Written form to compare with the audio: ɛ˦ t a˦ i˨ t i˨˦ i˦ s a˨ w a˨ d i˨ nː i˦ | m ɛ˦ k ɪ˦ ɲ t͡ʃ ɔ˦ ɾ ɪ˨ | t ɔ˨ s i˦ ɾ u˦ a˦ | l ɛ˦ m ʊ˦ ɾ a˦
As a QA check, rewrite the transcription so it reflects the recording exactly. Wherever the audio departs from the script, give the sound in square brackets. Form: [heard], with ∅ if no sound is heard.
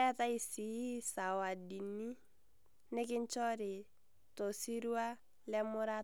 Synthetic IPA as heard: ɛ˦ t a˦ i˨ [s] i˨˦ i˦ s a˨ w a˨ d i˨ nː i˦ | [n] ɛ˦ k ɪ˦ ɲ t͡ʃ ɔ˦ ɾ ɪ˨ | t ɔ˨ s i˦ ɾ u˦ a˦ | l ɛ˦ m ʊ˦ ɾ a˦